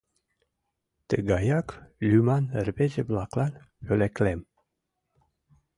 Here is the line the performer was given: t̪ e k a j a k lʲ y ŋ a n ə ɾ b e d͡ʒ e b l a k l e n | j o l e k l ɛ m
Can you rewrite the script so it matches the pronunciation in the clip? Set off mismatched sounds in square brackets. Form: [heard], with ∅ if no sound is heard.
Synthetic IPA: t̪ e [ɡ] a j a k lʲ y [m] a n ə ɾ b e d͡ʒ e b l a k l [a] n | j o l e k l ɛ m